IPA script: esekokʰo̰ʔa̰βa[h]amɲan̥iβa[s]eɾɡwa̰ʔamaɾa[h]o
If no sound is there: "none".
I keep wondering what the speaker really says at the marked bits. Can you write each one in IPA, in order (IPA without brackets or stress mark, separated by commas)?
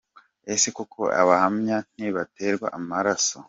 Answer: h, t, s